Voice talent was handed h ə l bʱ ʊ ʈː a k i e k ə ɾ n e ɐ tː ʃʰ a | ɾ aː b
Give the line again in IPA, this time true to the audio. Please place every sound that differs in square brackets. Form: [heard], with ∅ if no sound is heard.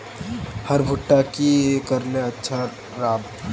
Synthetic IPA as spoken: h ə [ɾ] bʱ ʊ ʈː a k i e k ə ɾ n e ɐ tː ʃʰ a | ɾ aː b